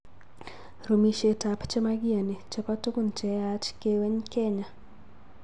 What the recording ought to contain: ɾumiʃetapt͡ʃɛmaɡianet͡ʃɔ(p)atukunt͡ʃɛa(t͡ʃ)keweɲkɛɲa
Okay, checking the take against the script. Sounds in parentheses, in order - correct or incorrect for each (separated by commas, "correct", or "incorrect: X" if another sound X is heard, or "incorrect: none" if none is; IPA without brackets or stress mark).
correct, correct